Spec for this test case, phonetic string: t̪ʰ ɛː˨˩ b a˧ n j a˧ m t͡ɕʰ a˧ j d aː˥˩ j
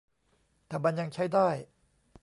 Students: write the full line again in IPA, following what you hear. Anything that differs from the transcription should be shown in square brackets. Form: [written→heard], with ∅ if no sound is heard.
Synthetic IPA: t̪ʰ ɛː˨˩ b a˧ n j a˧ [m→ŋ] t͡ɕʰ [a˧→a˥˩] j d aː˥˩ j